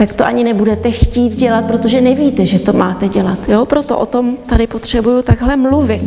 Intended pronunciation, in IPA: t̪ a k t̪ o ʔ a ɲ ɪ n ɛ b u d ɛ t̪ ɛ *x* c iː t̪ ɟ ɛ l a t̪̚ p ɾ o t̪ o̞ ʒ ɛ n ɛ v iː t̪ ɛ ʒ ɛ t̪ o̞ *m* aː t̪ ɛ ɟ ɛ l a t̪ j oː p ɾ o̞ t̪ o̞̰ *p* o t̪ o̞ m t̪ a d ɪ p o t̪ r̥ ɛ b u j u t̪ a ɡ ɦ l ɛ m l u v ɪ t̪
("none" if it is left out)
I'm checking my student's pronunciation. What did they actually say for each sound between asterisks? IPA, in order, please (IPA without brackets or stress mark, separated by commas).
x, m, ʔ